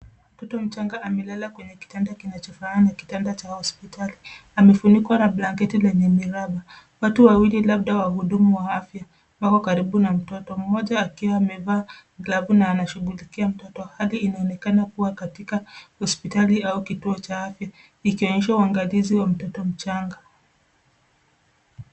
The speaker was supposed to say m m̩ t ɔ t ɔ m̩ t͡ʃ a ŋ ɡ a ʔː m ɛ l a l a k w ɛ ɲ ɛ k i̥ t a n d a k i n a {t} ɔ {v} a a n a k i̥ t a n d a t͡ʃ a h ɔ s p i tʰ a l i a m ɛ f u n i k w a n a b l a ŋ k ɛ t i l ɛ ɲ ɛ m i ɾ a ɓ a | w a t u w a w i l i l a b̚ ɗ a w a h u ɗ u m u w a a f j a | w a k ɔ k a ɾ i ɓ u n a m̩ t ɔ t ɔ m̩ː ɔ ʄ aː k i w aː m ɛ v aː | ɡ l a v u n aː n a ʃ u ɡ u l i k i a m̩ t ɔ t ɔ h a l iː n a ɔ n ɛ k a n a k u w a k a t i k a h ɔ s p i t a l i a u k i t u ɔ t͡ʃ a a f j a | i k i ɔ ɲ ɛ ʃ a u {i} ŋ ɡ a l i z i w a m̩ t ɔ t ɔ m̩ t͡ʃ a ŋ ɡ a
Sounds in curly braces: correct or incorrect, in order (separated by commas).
incorrect, incorrect, incorrect